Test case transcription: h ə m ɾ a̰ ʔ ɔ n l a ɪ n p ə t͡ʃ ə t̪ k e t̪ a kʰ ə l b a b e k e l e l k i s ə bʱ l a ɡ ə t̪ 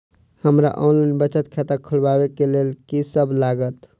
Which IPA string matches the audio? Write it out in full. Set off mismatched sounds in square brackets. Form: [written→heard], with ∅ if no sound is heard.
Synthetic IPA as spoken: h ə m ɾ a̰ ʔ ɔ n l a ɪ n [p→b] ə t͡ʃ ə t̪ [k→kʰ] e t̪ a kʰ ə l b a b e k e l e l k i s ə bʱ l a ɡ ə t̪